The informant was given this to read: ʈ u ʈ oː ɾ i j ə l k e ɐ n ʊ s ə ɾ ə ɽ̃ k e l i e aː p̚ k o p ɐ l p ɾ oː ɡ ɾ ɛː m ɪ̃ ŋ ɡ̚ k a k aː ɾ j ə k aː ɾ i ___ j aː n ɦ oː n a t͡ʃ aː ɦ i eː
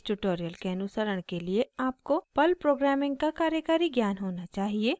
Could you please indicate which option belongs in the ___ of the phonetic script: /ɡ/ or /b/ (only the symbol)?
ɡ